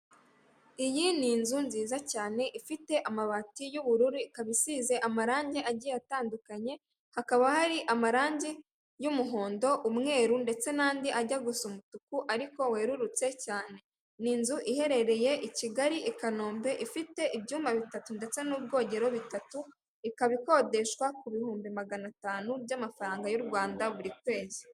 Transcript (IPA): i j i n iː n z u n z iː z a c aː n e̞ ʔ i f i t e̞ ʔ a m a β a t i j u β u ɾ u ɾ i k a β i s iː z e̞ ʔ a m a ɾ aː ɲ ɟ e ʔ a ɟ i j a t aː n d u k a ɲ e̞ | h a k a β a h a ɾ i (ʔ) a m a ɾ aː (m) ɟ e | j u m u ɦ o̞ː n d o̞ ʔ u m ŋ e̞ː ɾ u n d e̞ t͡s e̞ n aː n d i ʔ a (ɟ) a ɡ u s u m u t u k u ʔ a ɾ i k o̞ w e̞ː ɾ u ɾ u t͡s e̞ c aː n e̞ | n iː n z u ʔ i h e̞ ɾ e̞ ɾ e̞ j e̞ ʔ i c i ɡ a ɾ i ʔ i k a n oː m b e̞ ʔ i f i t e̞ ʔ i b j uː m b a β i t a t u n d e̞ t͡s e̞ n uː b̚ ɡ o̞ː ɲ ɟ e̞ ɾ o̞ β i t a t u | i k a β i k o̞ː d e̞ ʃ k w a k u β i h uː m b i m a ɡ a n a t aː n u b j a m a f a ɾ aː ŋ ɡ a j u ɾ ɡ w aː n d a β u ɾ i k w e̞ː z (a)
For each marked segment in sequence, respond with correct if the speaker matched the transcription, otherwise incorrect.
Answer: correct, incorrect: ɲ, correct, incorrect: i

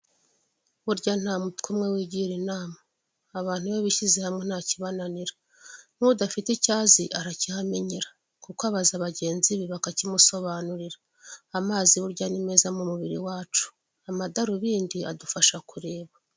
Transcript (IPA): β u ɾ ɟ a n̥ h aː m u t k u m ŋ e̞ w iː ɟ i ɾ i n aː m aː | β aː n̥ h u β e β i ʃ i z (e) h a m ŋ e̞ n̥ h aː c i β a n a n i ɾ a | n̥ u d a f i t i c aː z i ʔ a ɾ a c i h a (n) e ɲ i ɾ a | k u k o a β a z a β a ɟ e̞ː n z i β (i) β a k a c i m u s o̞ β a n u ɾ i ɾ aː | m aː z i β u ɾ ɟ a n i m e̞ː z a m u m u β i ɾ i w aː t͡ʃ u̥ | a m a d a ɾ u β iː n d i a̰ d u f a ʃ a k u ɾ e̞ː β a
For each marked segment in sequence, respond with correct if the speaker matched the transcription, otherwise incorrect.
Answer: correct, incorrect: m, correct

